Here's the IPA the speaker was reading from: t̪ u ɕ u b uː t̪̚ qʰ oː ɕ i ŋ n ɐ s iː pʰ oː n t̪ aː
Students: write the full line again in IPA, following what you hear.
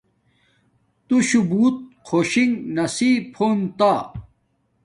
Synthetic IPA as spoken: t̪ u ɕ u b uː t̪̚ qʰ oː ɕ i ŋ n ɐ s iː pʰ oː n t̪ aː